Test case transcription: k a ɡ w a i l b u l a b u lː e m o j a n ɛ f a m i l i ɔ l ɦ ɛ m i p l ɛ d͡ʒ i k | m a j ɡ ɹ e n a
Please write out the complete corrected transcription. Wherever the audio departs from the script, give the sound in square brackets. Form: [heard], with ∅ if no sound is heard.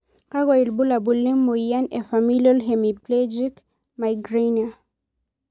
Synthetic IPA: k a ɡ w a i l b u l a b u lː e m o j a n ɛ f a m i l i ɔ l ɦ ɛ m i p l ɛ d͡ʒ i k | m a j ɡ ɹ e n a